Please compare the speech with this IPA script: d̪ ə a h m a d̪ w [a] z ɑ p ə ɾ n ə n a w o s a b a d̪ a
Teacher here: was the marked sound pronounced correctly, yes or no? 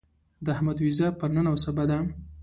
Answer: no